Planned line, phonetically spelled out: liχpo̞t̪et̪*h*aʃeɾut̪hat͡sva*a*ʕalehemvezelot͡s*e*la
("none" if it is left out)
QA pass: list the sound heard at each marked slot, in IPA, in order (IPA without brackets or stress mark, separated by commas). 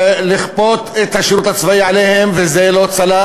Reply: h, i, a